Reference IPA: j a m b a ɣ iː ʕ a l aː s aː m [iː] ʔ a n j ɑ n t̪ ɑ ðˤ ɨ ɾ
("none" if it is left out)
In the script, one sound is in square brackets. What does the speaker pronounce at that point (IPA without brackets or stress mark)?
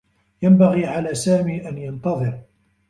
iː